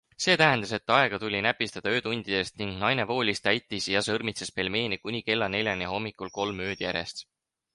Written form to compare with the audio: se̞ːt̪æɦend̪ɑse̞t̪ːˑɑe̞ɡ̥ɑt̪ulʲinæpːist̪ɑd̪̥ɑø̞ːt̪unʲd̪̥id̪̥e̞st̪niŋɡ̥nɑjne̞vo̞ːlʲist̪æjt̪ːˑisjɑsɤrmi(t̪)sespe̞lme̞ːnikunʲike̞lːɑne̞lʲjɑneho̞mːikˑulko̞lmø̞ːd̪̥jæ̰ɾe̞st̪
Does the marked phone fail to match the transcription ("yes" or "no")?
no